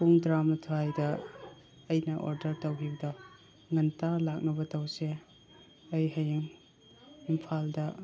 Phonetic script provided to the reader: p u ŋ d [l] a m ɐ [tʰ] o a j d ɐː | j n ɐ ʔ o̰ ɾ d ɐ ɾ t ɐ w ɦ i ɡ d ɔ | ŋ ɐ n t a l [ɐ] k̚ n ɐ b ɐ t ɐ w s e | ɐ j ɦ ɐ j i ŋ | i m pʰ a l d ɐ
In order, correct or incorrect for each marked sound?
incorrect: ɾ, correct, incorrect: a

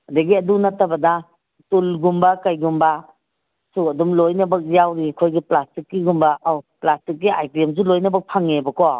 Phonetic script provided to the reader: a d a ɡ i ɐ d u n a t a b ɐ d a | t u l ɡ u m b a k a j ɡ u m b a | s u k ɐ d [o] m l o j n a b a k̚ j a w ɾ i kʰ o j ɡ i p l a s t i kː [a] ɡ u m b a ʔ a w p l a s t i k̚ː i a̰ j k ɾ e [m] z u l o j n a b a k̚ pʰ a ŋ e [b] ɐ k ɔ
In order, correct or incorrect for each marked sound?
incorrect: u, incorrect: i, correct, correct

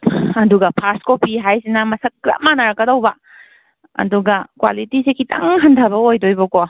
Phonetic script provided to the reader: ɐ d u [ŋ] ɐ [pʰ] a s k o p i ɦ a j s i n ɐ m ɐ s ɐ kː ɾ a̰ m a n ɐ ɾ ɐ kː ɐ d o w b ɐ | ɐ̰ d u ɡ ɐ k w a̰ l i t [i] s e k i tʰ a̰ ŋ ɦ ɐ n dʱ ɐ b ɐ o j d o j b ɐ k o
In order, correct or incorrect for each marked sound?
incorrect: ɡ, correct, correct

